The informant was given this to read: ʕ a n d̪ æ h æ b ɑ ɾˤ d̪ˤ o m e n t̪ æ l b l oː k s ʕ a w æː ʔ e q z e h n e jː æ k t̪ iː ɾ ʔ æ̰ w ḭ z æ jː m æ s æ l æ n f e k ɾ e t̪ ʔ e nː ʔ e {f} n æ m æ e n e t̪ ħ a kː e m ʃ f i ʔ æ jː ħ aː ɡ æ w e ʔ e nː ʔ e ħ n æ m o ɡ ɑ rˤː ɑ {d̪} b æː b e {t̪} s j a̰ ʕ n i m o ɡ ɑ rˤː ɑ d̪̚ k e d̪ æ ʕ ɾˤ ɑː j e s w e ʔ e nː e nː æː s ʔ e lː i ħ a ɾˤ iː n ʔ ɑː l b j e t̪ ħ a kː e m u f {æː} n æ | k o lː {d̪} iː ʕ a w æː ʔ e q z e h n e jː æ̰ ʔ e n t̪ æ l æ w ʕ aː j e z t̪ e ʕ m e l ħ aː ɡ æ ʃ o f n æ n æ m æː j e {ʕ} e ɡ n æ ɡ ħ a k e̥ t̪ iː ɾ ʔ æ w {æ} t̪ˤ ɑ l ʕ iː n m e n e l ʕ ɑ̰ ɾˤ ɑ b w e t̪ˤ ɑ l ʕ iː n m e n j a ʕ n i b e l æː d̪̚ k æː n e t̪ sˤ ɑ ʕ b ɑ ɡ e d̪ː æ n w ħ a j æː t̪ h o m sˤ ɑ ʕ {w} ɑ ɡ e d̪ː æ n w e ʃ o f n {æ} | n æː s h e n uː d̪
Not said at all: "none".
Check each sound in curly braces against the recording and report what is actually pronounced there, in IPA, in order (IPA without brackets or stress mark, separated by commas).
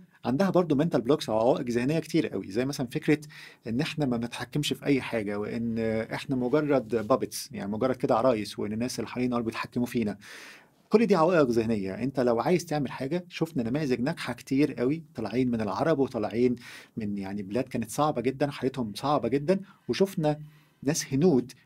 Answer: ħ, d̪, t̪, iː, d̪, z, i, b, æ